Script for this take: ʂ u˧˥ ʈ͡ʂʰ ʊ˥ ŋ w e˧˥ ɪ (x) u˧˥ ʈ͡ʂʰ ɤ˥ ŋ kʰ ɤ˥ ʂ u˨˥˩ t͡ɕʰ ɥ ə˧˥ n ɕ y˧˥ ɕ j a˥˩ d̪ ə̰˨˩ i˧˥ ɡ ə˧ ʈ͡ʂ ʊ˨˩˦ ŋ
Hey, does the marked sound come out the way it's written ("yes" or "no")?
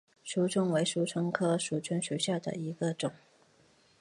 no